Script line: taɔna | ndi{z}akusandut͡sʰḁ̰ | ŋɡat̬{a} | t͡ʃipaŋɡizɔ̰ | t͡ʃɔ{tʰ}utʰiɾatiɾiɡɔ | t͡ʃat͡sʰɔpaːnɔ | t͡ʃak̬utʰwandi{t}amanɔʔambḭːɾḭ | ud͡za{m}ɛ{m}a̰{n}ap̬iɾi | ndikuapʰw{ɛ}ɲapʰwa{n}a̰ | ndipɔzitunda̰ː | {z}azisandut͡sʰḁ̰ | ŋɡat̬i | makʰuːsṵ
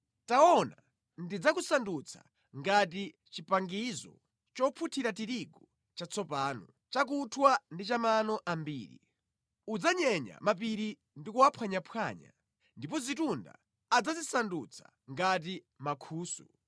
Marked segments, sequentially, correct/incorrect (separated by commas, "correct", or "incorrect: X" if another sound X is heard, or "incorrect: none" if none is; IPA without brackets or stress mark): incorrect: d͡z, incorrect: i, incorrect: pʰ, incorrect: t͡ʃ, incorrect: ɲ, incorrect: ɲ, incorrect: m, incorrect: a, incorrect: ɲ, incorrect: d͡z